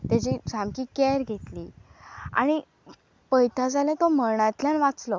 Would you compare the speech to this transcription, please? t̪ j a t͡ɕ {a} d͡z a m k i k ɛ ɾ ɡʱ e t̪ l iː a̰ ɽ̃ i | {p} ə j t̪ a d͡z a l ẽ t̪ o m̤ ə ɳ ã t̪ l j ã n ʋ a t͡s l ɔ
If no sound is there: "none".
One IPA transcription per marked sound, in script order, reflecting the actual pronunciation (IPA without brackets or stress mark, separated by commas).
i, p